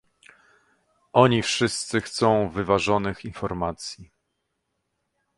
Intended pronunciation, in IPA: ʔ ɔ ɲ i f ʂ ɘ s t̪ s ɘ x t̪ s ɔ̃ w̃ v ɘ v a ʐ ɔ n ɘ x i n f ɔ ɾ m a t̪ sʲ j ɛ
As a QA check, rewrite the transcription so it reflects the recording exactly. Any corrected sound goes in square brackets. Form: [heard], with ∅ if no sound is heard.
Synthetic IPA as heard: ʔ ɔ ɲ i f ʂ ɘ s t̪ s ɘ x t̪ s ɔ̃ w̃ v ɘ v a ʐ ɔ n ɘ x i n f ɔ ɾ m a t̪ sʲ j [i]